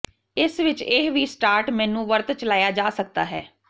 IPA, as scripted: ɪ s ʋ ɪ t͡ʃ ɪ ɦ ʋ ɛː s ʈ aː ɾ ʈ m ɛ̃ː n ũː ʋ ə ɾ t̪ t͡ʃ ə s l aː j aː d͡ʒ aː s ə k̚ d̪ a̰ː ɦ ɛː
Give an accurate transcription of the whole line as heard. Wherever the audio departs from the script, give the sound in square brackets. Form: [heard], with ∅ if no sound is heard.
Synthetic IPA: ɪ s ʋ ɪ t͡ʃ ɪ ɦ ʋ [iː] s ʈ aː ɾ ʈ m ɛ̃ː n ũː ʋ ə ɾ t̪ t͡ʃ ə [∅] l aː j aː d͡ʒ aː s ə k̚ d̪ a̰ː ɦ ɛː